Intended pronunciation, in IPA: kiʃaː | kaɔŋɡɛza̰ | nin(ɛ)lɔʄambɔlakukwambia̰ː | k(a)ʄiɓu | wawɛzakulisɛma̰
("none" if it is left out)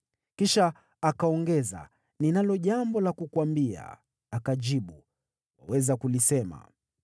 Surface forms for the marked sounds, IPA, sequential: a, a

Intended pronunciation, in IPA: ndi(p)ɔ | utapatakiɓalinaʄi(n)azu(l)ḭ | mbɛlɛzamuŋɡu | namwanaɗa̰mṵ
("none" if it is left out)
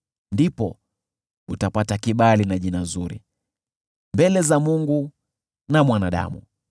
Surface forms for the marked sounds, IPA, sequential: p, n, ɾ

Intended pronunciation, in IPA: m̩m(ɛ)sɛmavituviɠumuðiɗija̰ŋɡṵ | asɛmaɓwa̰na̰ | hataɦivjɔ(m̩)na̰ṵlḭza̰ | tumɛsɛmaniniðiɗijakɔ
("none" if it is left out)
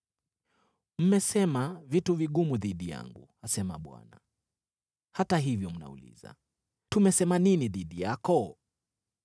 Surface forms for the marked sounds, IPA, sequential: ɛ, m̩

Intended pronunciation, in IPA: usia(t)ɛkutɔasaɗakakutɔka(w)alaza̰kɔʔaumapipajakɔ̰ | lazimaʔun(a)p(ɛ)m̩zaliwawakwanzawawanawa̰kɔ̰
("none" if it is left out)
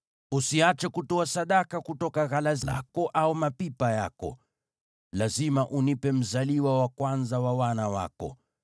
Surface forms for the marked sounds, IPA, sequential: t͡ʃ, ɣ, i, ɛ

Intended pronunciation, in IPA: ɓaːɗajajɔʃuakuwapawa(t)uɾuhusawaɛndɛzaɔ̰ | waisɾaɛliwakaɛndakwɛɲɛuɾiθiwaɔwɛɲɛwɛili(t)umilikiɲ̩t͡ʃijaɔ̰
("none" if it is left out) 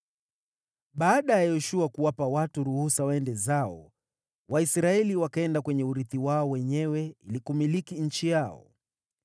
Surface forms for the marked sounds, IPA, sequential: t, k

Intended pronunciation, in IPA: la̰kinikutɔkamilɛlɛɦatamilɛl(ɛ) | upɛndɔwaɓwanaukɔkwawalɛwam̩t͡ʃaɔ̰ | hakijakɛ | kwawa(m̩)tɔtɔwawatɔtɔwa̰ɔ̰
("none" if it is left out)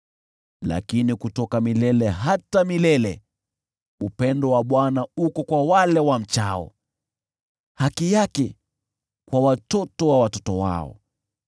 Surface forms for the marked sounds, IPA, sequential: ɛ, none

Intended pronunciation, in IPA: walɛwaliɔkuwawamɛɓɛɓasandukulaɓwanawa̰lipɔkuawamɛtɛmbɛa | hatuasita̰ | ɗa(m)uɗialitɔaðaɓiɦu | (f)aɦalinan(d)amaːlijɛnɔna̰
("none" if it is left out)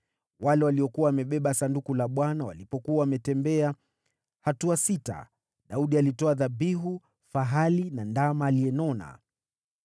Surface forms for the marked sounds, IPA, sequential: none, f, d

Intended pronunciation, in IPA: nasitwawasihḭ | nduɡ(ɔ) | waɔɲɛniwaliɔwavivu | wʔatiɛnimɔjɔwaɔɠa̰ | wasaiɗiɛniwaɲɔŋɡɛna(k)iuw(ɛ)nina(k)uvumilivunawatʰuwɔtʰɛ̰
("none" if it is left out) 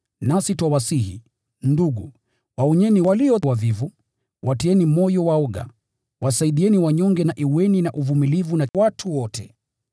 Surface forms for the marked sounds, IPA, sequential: u, ʔ, ɛ, ʔ

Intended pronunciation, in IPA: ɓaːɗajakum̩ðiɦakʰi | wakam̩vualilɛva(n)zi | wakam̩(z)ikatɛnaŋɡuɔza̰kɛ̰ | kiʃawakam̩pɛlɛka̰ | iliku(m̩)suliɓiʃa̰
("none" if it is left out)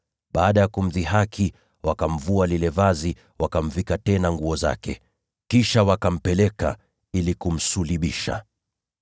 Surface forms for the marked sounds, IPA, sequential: none, v, m̩

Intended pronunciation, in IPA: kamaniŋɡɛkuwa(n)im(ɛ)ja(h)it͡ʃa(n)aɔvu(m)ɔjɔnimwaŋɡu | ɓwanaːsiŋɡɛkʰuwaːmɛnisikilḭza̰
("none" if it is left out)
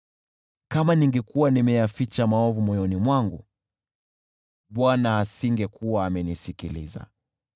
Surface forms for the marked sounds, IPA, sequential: n, ɛ, f, m, m

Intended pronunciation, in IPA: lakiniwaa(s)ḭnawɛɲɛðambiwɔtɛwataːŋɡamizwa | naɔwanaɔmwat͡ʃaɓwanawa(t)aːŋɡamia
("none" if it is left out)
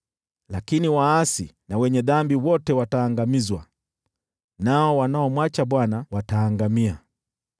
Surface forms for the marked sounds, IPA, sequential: s, t

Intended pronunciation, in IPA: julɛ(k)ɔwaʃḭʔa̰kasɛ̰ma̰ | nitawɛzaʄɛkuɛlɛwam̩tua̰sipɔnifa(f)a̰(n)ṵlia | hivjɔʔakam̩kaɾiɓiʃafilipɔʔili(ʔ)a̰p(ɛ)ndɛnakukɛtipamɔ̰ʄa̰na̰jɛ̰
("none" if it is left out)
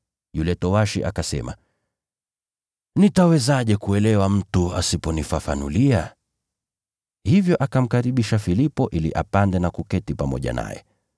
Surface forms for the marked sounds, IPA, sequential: t, f, n, ʔ, a

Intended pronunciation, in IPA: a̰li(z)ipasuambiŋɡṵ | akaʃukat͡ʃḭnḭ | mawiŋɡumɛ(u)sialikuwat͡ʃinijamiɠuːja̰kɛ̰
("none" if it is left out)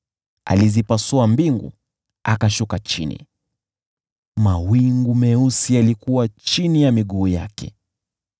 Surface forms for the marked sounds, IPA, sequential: z, u

